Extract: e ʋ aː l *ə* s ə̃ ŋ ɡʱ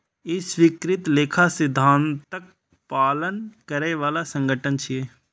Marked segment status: incorrect: a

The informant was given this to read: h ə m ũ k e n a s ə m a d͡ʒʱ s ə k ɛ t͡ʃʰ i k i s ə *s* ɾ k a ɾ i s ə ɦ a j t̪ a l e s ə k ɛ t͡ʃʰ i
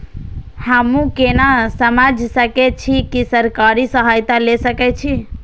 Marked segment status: incorrect: none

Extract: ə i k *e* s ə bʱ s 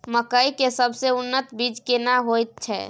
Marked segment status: correct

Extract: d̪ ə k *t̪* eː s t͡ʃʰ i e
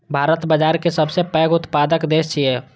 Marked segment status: incorrect: d̪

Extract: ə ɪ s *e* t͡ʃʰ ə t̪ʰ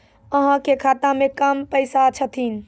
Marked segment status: incorrect: a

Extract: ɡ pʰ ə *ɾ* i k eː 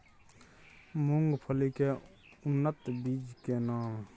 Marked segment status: incorrect: l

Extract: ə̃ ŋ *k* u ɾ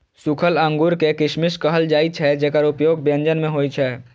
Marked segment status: incorrect: ɡ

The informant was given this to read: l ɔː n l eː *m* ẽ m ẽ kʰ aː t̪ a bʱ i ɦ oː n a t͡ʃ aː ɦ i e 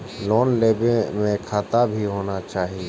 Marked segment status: incorrect: b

